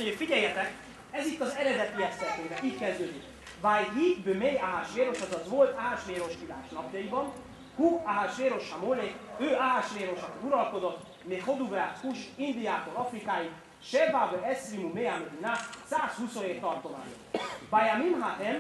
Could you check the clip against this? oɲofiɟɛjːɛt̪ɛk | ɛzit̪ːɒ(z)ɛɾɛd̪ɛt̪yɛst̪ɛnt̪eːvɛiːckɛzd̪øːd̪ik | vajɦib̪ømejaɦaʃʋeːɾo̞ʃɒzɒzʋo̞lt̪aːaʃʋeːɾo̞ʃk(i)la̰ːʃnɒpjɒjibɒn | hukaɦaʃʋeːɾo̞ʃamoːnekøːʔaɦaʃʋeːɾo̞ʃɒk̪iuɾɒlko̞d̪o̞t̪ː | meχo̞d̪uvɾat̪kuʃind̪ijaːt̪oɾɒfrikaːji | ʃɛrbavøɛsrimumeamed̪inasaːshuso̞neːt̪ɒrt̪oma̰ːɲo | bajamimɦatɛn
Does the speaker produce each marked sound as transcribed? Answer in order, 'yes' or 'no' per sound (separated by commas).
yes, yes